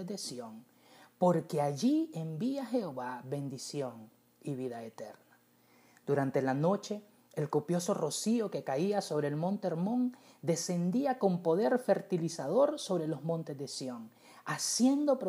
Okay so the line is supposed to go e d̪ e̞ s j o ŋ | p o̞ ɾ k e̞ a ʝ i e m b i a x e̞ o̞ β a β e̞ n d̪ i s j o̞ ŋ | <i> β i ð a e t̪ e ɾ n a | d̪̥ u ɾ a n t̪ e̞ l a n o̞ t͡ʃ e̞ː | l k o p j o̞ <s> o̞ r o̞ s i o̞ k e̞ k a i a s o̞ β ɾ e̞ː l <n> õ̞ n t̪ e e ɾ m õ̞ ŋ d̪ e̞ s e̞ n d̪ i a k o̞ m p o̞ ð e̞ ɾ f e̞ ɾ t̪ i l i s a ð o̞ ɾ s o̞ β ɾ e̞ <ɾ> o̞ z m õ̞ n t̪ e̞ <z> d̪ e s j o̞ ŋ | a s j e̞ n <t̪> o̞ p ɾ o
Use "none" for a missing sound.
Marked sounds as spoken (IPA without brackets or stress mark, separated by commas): i, s, m, l, z, d̪